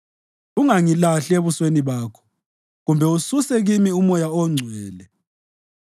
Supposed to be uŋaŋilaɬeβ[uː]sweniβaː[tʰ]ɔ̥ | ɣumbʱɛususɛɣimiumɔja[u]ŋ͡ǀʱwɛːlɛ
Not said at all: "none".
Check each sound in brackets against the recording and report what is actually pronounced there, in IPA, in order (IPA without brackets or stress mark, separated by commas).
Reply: u, kʰ, ɔ